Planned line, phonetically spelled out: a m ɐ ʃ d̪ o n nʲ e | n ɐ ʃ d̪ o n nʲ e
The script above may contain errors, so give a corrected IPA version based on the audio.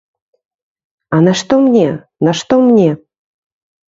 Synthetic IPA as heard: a n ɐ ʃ t̪ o m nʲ e | n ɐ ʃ t̪ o m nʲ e